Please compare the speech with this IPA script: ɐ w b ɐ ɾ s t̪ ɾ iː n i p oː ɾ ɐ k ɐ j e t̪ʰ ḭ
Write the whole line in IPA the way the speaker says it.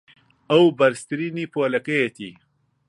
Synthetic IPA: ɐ w b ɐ ɾ s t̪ ɾ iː n i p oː l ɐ k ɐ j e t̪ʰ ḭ

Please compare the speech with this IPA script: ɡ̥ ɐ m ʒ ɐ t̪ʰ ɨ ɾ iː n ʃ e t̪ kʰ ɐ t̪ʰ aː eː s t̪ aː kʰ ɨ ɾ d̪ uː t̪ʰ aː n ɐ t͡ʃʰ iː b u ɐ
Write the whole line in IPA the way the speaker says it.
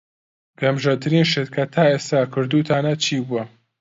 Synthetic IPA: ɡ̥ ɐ m ʒ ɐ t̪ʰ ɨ ɾ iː n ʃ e t̪ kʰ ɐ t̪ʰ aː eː s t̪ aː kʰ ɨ ɾ d̪ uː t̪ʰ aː n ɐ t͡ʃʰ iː b u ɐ

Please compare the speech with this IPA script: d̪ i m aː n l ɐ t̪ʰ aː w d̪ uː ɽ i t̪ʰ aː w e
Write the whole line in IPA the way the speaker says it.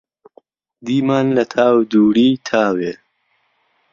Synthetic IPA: d̪ i m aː n l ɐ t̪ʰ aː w d̪ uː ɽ i t̪ʰ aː w e

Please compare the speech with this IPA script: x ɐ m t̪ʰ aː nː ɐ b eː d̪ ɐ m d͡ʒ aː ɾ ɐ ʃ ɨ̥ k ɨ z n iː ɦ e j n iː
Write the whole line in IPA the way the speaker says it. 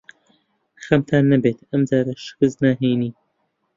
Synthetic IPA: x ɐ m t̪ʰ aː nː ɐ b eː t̪ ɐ m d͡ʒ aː ɾ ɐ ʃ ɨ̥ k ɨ z n aː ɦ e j n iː

